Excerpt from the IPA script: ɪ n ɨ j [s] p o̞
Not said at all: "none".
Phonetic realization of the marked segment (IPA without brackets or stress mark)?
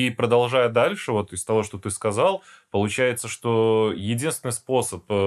s